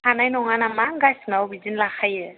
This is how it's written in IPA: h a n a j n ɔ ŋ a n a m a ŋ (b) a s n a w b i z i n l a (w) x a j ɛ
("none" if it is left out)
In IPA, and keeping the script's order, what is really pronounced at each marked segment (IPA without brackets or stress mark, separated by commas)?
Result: ɡ, none